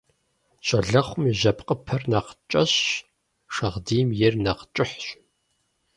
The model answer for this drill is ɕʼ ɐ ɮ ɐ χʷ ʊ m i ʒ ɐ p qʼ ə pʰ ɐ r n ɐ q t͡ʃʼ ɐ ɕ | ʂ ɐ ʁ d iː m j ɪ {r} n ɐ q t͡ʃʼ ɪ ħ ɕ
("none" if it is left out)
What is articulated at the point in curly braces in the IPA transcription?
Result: r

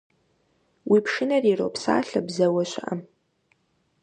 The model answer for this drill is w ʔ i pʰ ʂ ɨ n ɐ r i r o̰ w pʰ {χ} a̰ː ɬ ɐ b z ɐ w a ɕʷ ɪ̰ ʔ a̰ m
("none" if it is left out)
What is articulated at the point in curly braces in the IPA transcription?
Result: s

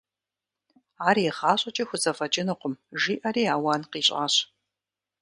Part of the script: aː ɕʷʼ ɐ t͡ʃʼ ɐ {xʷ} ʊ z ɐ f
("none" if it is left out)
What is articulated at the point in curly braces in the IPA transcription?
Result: xʷ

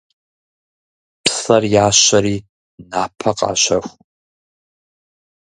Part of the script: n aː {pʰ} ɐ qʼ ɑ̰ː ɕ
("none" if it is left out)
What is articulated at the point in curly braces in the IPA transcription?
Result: pʰ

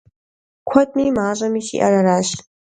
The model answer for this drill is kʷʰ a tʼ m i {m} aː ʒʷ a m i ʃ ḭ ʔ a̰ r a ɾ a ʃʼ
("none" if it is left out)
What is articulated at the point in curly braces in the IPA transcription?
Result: m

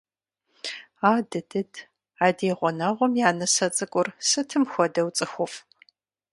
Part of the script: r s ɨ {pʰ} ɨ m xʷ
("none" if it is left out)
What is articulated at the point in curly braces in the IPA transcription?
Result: tʰ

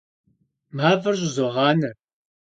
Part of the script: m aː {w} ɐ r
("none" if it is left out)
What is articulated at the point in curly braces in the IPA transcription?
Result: v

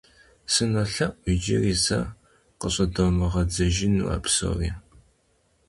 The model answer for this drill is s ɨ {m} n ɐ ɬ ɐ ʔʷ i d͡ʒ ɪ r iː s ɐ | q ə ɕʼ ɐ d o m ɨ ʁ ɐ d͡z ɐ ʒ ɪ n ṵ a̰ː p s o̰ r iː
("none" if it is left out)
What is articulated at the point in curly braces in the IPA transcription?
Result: none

